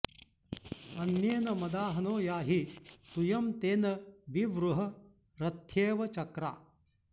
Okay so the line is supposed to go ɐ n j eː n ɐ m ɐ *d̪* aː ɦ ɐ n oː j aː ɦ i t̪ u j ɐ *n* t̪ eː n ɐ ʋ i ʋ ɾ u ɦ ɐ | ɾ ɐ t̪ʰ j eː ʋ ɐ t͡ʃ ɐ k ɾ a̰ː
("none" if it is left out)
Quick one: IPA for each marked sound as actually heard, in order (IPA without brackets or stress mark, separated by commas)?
d̪, m